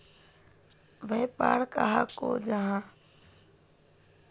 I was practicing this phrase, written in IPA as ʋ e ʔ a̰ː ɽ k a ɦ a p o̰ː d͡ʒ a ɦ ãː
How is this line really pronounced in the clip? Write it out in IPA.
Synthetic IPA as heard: ʋ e p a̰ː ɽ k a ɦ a k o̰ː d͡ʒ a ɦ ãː